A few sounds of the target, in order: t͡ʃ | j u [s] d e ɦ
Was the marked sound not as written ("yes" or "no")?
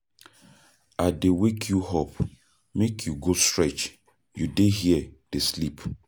yes